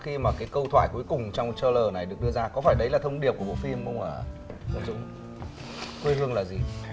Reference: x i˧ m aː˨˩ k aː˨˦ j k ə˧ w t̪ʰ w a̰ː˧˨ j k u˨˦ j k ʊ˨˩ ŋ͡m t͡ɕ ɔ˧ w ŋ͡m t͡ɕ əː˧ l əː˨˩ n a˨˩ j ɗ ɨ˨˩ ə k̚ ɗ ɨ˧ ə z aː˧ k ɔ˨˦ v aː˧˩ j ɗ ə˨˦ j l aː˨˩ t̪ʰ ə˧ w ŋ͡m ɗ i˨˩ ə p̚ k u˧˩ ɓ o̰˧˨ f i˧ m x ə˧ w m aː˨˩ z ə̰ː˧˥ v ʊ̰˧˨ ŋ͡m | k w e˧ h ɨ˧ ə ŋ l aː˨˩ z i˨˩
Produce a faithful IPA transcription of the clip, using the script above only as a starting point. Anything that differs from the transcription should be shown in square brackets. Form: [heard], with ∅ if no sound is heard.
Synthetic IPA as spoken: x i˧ m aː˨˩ k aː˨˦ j k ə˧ w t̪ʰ w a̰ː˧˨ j k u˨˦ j k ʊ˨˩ ŋ͡m t͡ɕ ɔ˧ w ŋ͡m t͡ɕ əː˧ l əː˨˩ n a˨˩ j ɗ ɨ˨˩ ə k̚ ɗ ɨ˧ ə z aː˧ k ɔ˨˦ [f] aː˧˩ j ɗ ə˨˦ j l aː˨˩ t̪ʰ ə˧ w ŋ͡m ɗ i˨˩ ə p̚ k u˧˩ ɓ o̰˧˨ f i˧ m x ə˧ w [ŋ͡m] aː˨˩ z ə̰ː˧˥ [z] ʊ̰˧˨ ŋ͡m | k w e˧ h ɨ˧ ə ŋ l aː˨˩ z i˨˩